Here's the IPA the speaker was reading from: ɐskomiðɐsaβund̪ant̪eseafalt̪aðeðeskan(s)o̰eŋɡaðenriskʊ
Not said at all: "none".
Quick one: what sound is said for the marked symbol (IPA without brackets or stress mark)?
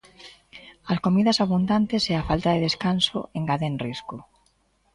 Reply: s